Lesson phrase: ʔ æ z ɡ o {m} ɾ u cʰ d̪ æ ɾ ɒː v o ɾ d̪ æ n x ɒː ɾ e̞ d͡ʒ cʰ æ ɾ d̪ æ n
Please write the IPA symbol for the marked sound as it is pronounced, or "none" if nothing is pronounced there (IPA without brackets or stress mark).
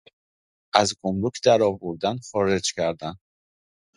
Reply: m